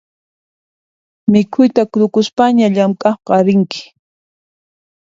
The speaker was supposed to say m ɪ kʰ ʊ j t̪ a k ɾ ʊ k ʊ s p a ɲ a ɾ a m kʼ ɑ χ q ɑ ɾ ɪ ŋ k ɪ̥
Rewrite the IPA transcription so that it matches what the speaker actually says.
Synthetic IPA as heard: m ɪ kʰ ʊ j t̪ a k ɾ ʊ k ʊ s p a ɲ a ʎ a m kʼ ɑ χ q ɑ ɾ ɪ ŋ k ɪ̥

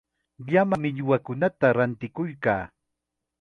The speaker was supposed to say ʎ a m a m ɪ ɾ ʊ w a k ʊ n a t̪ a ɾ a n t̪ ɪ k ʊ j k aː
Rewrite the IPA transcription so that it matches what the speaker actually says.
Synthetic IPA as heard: ʎ a m a m ɪ ʎ ʊ w a k ʊ n a t̪ a ɾ a n t̪ ɪ k ʊ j k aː

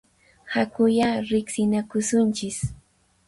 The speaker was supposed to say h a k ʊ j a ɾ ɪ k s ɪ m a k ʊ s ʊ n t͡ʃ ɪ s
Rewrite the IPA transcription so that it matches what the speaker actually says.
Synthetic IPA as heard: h a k ʊ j a ɾ ɪ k s ɪ n a k ʊ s ʊ n t͡ʃ ɪ s

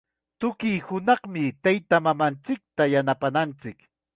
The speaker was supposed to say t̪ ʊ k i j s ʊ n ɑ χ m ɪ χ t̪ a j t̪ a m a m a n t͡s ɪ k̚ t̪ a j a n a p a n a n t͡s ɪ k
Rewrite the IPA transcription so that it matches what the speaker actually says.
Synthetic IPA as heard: t̪ ʊ k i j h ʊ n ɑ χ m ɪ t̪ a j t̪ a m a m a n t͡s ɪ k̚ t̪ a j a n a p a n a n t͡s ɪ k

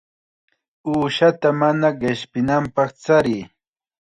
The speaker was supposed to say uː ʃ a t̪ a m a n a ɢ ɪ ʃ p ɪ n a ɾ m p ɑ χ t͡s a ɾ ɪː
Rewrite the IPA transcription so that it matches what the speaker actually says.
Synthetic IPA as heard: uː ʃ a t̪ a m a n a ɢ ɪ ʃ p ɪ n a m p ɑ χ t͡s a ɾ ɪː

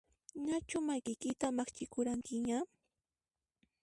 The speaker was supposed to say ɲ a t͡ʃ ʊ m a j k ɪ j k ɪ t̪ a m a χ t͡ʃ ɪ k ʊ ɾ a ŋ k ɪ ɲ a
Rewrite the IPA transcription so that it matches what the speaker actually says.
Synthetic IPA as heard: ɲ a t͡ʃ ʊ m a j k ɪ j k ɪ t̪ a m a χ t͡ʃ ɪ k ʊ ɾ a ŋ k ɪ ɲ a

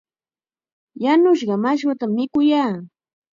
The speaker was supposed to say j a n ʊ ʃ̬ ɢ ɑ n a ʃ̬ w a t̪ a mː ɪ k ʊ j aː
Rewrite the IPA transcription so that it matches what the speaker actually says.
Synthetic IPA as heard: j a n ʊ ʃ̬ ɢ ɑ m a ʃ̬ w a t̪ a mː ɪ k ʊ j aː

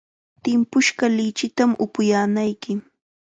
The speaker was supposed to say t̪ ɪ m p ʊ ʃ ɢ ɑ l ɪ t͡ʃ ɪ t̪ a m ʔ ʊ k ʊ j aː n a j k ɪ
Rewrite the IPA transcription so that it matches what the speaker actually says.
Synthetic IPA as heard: t̪ ɪ m p ʊ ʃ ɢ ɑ l ɪ t͡ʃ ɪ t̪ a m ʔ ʊ p ʊ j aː n a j k ɪ

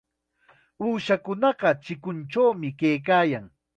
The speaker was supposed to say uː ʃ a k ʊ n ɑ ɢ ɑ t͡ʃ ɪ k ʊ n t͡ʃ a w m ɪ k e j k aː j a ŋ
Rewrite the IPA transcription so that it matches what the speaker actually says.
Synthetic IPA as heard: uː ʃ a k ʊ n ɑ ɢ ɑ t͡ʃ ɪ k ʊ n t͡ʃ a w m ɪ k e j k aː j a ŋ

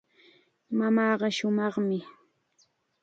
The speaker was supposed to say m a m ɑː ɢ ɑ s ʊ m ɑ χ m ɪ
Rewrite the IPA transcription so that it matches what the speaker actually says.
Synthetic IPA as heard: m a m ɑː ɢ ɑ ʃ ʊ m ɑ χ m ɪ

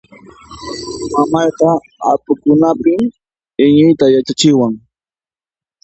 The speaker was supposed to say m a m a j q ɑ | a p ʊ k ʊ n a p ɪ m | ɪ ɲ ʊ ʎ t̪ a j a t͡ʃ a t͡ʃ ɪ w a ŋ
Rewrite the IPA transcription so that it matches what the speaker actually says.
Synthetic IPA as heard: m a m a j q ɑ | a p ʊ k ʊ n a p ɪ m | ɪ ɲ ʊ j t̪ a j a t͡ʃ a t͡ʃ ɪ w a ŋ

